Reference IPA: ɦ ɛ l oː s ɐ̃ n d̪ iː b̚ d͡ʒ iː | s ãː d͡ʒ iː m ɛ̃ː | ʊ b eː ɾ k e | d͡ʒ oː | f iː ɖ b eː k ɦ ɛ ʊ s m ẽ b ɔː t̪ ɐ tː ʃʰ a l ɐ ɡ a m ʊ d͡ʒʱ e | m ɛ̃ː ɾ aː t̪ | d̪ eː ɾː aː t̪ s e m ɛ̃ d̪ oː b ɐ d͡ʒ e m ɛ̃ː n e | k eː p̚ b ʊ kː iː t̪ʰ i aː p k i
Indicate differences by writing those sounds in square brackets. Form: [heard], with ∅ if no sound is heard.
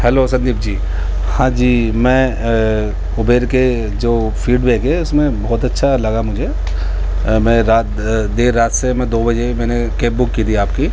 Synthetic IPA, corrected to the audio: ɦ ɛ l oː s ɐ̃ n d̪ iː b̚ d͡ʒ iː | [h] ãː d͡ʒ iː m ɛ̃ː | ʊ b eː ɾ k e | d͡ʒ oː | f iː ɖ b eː k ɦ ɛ ʊ s m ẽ b ɔː t̪ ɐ tː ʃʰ a l ɐ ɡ a m ʊ d͡ʒʱ e | m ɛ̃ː ɾ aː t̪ | d̪ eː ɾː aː t̪ s e m ɛ̃ d̪ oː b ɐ d͡ʒ e m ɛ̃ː n e | k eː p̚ b ʊ kː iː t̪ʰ i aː p k i